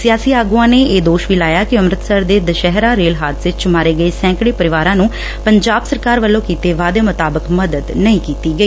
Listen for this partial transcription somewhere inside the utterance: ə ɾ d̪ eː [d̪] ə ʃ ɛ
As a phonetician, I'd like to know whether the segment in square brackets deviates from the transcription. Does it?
no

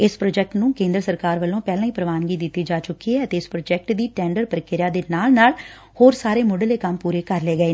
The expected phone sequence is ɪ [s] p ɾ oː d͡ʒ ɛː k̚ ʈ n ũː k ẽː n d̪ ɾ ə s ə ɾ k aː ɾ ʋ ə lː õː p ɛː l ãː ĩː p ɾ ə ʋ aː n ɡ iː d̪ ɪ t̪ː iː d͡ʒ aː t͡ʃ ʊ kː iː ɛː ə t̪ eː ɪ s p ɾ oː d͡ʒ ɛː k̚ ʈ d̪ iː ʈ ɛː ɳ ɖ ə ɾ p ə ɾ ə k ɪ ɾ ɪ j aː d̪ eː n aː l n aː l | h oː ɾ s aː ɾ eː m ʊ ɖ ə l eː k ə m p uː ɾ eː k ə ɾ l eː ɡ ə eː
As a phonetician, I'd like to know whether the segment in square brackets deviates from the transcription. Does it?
no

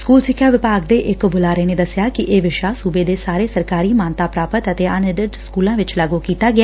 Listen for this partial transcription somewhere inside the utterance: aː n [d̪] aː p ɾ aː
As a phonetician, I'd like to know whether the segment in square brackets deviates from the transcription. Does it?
yes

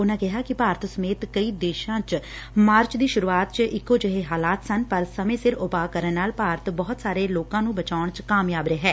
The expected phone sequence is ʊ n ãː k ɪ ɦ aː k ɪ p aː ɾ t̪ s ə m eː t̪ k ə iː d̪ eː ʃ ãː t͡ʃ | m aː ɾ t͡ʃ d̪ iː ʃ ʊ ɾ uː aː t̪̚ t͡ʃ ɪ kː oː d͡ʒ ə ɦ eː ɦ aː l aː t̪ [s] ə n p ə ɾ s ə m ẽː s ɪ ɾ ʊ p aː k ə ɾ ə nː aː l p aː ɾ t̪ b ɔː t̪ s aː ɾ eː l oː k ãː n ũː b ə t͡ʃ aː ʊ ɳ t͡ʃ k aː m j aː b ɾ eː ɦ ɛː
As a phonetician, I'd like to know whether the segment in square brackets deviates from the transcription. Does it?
no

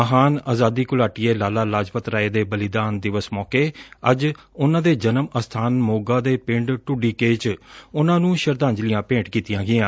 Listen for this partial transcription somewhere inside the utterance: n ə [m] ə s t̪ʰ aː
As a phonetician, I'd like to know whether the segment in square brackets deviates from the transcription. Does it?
no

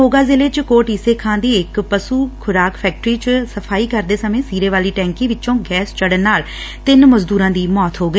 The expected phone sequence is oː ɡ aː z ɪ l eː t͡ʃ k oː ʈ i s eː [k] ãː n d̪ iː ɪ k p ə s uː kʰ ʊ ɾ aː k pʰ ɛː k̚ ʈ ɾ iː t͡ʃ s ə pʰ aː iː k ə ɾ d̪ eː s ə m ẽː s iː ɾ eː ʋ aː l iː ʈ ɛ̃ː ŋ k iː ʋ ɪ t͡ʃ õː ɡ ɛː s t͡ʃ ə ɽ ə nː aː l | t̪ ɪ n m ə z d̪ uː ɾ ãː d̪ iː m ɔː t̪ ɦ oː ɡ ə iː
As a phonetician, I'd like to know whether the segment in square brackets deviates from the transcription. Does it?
yes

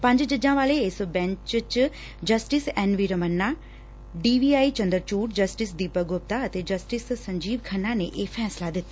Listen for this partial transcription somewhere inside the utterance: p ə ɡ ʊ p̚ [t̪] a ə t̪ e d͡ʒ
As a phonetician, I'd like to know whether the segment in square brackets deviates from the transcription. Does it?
no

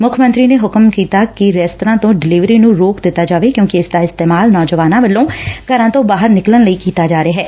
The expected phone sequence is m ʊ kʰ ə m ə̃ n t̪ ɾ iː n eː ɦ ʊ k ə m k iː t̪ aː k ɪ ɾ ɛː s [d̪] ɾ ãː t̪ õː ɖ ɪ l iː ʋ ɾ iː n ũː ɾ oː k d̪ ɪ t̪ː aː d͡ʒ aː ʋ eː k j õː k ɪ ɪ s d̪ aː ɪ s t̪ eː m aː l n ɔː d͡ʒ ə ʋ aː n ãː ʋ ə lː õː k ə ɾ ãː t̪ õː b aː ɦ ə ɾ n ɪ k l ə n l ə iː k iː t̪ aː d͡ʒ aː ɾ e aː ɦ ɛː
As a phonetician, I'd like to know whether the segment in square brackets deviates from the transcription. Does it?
yes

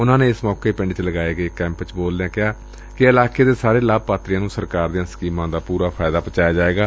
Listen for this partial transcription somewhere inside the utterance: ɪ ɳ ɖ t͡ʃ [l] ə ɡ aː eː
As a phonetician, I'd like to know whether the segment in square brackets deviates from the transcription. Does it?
no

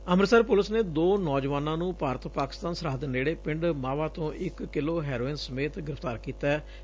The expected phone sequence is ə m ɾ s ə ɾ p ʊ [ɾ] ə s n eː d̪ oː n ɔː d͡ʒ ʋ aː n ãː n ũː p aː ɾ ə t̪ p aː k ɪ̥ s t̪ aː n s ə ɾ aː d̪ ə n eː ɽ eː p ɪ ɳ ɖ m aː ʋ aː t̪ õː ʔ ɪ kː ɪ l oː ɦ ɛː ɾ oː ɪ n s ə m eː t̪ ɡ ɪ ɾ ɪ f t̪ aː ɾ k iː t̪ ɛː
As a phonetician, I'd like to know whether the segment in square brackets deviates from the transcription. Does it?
yes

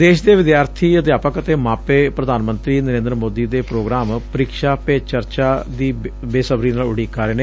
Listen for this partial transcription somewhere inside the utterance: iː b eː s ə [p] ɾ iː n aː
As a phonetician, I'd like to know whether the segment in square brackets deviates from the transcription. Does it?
yes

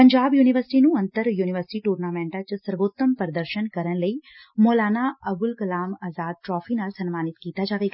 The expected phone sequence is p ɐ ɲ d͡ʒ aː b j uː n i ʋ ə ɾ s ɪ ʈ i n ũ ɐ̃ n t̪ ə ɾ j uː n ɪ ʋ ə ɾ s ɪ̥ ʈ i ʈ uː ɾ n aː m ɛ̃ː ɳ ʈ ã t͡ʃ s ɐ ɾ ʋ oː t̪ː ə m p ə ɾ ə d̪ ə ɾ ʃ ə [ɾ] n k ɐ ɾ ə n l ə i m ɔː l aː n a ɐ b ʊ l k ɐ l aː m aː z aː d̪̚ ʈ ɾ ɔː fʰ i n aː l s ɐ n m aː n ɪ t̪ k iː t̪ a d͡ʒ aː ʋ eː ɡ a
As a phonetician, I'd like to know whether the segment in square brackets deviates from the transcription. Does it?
yes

